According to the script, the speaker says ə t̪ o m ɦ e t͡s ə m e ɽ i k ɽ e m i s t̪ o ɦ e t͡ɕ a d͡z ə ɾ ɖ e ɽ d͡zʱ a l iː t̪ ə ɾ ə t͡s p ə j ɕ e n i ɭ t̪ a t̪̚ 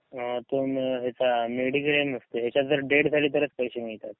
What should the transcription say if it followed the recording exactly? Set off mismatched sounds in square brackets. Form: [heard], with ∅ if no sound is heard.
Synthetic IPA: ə t̪ o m ɦ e t͡s [a] m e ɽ i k [ɾ] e m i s t̪ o ɦ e t͡ɕ a d͡z ə ɾ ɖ e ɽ d͡zʱ a l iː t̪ ə ɾ ə t͡s p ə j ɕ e [m] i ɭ t̪ a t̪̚